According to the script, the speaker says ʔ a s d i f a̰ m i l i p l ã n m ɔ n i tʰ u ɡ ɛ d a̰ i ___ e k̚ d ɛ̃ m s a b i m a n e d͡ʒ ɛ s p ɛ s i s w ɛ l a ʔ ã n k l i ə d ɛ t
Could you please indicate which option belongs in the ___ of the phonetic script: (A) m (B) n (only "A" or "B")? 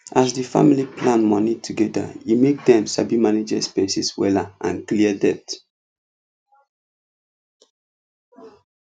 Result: A